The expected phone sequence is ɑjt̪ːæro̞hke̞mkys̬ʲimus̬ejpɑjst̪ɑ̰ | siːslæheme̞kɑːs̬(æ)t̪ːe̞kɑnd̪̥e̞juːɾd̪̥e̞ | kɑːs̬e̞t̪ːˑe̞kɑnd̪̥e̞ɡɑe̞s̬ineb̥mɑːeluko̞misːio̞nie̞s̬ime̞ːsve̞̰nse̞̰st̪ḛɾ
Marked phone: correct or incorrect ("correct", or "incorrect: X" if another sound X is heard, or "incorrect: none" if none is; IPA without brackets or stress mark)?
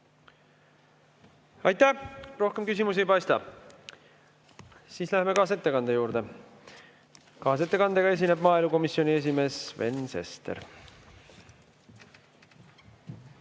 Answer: incorrect: e